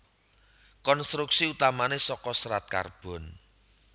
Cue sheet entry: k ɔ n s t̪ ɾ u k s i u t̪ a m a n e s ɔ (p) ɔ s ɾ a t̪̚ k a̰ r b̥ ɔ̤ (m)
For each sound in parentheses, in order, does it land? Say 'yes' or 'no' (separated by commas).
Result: no, no